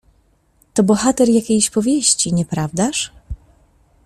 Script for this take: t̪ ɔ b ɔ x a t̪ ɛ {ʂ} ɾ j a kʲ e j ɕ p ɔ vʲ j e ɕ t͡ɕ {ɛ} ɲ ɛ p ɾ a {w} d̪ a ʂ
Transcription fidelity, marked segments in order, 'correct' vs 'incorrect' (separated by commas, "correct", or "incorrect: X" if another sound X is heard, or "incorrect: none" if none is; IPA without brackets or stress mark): incorrect: none, incorrect: i, incorrect: v